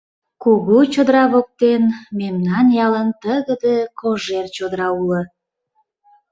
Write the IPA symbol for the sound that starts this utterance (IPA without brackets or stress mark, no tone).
k